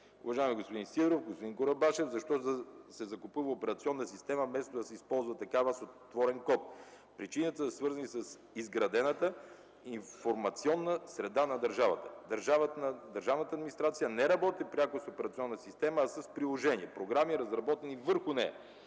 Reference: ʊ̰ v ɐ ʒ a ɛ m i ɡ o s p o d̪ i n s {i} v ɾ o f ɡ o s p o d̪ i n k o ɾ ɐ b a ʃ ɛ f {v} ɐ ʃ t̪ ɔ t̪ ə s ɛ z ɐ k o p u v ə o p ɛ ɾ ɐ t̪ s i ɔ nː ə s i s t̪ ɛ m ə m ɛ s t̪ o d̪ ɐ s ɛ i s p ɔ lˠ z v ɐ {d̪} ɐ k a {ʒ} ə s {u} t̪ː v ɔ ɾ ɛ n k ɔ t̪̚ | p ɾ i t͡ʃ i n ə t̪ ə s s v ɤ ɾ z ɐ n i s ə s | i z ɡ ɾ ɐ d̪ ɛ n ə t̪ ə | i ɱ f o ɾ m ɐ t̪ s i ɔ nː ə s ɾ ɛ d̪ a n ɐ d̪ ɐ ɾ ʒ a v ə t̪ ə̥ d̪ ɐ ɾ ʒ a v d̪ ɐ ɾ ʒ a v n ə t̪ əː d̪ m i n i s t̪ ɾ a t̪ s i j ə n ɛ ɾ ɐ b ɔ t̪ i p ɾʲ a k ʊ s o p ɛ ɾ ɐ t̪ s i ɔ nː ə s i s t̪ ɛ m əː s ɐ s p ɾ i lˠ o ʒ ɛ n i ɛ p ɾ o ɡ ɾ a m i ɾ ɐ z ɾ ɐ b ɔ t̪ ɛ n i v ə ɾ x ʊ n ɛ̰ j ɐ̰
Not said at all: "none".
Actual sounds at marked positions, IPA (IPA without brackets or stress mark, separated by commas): i, z, t̪, v, o